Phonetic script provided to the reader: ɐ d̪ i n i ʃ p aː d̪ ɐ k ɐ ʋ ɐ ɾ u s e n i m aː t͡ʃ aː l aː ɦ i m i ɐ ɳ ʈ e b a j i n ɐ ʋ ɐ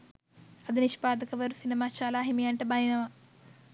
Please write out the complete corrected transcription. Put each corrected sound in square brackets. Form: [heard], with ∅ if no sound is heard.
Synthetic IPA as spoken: ɐ d̪ i n i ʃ p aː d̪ ɐ k ɐ ʋ ɐ ɾ u s [i] n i m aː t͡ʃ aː l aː ɦ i m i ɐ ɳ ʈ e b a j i n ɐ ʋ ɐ